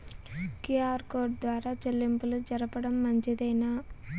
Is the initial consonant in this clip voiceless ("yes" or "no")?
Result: yes